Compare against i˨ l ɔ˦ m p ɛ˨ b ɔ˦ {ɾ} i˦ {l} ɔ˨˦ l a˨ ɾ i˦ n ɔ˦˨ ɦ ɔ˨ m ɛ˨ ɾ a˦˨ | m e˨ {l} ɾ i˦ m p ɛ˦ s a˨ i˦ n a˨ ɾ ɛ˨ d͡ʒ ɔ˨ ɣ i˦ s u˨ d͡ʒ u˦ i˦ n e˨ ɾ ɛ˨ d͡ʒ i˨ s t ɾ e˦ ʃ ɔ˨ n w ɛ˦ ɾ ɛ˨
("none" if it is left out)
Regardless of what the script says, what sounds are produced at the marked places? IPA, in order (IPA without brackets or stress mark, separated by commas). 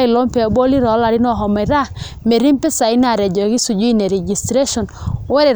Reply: l, ɾ, none